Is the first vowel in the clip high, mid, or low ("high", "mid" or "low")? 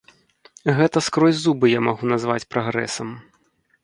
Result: mid